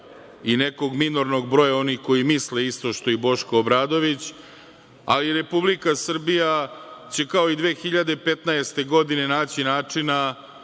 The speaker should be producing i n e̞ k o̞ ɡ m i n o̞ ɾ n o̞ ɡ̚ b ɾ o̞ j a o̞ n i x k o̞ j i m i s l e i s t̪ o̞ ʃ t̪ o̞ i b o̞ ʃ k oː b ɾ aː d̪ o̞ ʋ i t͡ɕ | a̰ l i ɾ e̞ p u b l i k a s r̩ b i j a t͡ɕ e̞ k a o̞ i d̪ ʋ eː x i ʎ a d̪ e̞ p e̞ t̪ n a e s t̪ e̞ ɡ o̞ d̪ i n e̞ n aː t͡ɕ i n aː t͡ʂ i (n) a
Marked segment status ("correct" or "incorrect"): correct